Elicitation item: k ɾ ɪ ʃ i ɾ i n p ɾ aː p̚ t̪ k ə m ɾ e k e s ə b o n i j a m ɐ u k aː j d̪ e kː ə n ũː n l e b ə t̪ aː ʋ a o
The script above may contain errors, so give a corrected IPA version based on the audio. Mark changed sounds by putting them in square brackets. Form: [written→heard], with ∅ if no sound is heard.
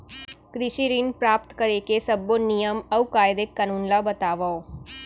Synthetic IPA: k ɾ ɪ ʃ i ɾ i n p ɾ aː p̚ t̪ k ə [m→∅] ɾ e k e s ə b o n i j [a→ə] m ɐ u k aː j d̪ e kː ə n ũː n l [e→a] b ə t̪ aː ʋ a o